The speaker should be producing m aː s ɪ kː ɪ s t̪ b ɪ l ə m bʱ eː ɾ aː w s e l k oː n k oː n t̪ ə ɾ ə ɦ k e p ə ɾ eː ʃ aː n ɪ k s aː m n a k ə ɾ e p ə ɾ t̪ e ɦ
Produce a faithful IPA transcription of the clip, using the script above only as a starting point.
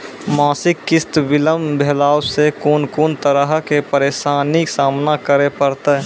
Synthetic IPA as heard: m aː s ɪ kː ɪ s t̪ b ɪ l ə m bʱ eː l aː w s e k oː n k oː n t̪ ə ɾ ə ɦ k e p ə ɾ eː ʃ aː n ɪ k s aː m n a k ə ɾ e p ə ɾ t̪ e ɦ

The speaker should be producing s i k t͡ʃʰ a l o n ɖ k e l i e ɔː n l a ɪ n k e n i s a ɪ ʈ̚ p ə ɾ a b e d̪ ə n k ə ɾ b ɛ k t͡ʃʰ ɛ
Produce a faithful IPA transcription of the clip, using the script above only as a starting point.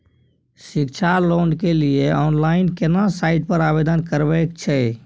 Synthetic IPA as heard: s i k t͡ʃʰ a l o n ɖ k e l i e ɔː n l a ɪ n k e n a s a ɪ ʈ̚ p ə ɾ a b e d̪ ə n k ə ɾ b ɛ k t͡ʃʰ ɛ

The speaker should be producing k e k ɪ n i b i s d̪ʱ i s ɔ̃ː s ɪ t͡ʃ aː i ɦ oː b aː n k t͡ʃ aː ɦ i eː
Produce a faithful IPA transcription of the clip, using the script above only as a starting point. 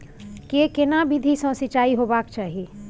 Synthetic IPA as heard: k e k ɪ n a b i d̪ʱ i s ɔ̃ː s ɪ t͡ʃ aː i ɦ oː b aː k t͡ʃ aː ɦ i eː

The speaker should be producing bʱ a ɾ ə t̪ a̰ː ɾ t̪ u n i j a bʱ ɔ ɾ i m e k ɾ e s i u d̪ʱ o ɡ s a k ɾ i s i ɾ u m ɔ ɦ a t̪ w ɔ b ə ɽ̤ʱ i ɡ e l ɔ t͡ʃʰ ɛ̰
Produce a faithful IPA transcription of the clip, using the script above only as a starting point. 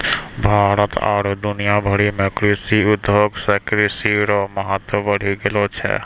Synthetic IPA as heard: bʱ a ɾ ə t̪ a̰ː ɾ d̪ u n i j a bʱ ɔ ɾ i m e k ɾ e s i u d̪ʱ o ɡ s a k ɾ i s i ɾ ɔ m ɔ ɦ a t̪ w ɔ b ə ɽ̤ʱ i ɡ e l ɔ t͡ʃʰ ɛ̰

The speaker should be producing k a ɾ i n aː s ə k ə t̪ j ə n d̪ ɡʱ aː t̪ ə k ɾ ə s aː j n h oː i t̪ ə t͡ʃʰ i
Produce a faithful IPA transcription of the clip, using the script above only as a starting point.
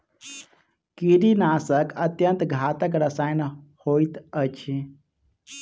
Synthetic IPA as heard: k i ɾ i n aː s ə k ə t̪ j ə n t̪ ɡʱ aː t̪ ə k ɾ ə s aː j n h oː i t̪ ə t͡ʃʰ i

